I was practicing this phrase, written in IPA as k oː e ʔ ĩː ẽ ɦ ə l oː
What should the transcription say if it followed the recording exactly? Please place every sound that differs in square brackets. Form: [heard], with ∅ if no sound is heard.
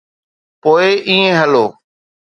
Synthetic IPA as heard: [p] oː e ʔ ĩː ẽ ɦ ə l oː